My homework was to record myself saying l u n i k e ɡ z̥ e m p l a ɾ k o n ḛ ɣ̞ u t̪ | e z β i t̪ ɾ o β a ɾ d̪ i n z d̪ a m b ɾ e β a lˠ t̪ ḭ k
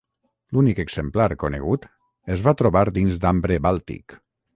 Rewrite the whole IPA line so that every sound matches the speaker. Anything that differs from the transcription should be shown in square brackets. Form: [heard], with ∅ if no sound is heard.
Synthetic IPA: l u n i k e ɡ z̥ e m p l a ɾ k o n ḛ ɣ̞ u t̪ | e z β [a] t̪ ɾ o β a ɾ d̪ i n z d̪ a m b ɾ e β a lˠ t̪ ḭ k